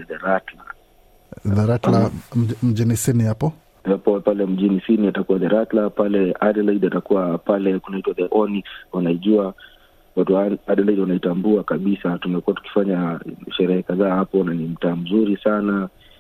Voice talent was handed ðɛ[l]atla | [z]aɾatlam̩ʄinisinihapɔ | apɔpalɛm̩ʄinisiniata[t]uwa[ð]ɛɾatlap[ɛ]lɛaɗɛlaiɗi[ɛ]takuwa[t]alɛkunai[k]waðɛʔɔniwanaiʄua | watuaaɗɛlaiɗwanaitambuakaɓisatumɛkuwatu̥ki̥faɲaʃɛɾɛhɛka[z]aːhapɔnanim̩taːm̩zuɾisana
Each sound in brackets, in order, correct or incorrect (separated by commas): incorrect, incorrect, incorrect, correct, incorrect, incorrect, incorrect, incorrect, incorrect